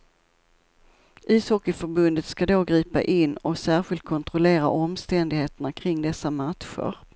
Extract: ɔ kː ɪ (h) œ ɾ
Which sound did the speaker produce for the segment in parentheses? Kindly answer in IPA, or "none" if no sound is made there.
f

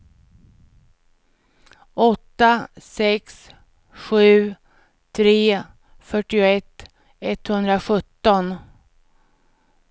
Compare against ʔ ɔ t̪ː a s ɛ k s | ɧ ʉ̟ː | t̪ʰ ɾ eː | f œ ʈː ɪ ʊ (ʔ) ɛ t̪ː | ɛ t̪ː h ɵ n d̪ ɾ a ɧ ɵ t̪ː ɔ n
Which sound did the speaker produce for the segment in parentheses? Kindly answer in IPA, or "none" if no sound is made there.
none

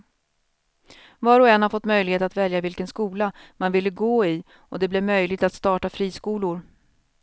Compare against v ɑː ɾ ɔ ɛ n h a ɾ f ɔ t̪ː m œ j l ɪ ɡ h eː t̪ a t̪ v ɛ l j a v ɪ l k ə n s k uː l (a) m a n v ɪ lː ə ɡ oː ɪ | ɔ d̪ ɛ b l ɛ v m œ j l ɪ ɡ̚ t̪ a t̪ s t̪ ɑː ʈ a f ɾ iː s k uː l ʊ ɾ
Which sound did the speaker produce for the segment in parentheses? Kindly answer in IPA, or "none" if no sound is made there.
a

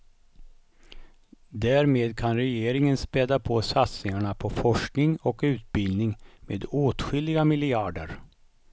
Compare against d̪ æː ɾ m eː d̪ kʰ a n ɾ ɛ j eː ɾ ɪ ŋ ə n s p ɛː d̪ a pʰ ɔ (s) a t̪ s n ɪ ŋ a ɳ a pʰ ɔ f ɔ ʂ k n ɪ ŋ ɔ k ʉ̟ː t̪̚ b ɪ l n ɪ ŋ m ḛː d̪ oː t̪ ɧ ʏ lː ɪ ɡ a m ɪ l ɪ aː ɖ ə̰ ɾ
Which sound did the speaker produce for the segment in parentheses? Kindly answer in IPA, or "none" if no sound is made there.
s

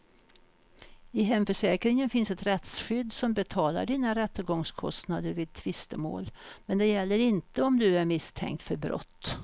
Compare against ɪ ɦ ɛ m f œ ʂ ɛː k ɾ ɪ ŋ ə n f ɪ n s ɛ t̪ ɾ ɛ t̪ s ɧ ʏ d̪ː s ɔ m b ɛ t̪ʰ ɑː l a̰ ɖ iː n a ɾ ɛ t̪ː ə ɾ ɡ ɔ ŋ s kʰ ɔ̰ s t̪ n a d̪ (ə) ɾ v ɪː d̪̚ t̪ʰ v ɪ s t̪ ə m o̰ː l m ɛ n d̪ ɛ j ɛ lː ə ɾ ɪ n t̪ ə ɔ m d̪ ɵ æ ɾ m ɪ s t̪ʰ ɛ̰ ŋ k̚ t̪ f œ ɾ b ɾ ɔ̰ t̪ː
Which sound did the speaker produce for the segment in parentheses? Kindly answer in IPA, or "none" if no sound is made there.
ə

